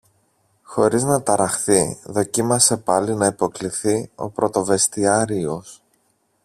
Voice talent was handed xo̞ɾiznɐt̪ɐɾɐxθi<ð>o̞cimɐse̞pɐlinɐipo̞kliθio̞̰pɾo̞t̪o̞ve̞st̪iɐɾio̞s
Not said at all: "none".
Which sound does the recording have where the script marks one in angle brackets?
ð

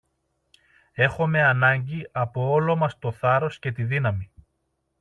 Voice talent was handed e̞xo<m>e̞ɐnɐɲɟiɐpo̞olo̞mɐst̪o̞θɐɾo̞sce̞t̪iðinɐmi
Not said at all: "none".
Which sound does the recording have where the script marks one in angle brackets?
m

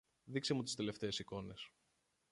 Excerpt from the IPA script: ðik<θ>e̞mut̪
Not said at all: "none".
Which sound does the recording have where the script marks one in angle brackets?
s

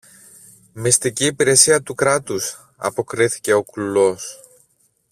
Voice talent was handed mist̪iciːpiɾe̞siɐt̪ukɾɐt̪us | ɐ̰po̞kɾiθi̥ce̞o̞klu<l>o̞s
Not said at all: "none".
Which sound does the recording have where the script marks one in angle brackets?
l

